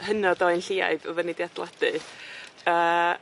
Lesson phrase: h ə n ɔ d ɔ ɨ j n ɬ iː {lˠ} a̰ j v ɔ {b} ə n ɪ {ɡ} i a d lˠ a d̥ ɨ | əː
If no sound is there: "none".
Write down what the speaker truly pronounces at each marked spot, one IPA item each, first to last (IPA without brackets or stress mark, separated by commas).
none, v, d